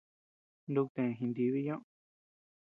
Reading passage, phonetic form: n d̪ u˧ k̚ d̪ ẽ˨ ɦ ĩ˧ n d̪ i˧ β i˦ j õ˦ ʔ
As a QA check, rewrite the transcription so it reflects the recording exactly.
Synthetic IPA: n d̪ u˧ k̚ t̪ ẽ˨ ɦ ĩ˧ n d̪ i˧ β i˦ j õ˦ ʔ